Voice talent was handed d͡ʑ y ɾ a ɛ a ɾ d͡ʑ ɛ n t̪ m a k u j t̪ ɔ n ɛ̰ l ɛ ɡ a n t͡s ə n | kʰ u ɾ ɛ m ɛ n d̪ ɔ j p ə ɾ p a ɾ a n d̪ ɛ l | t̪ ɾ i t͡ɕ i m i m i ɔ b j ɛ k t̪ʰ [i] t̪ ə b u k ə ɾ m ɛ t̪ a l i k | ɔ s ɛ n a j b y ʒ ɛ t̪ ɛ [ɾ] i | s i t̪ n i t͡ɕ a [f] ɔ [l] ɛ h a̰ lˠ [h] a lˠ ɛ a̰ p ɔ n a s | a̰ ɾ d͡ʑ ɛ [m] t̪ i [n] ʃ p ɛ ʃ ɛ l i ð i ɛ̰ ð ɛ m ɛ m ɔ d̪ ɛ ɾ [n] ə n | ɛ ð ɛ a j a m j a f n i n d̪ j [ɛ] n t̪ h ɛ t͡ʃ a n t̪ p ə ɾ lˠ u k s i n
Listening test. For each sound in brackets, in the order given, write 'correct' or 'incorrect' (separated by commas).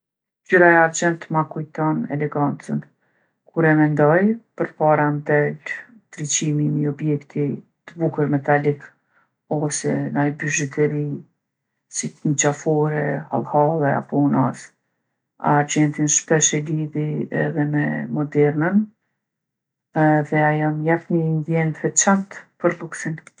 correct, correct, correct, incorrect, correct, incorrect, correct, correct, correct